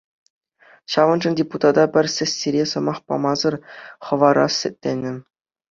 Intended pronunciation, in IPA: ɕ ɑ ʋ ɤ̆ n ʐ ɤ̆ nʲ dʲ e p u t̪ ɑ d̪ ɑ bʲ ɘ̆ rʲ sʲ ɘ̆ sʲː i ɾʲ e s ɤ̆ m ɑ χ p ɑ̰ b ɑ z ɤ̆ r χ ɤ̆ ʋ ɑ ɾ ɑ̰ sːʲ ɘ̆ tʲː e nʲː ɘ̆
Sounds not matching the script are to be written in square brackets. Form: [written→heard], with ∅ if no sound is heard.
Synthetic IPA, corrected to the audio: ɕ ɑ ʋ ɤ̆ n ʐ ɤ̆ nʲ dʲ e p u t̪ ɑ d̪ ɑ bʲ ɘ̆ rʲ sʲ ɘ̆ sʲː i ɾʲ e s ɤ̆ m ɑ χ p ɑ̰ [b→m] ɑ z ɤ̆ r χ ɤ̆ ʋ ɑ ɾ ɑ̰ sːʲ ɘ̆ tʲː e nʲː ɘ̆